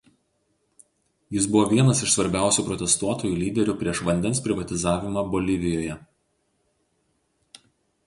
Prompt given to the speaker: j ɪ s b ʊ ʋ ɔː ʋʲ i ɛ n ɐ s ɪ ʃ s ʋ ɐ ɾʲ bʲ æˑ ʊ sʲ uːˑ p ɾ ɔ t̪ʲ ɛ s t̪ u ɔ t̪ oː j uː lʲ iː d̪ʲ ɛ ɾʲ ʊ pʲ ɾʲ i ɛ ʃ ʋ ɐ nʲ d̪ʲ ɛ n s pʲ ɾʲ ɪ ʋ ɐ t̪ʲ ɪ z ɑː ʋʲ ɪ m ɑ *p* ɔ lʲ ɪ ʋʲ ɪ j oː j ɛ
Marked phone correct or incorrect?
incorrect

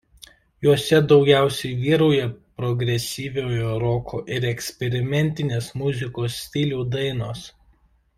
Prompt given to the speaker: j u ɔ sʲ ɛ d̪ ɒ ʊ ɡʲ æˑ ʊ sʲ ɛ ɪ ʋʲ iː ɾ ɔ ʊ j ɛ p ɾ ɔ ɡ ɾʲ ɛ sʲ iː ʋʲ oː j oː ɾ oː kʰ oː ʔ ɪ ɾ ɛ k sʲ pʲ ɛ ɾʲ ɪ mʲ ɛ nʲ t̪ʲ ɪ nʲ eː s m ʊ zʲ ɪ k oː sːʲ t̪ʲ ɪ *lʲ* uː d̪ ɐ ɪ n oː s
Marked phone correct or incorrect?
correct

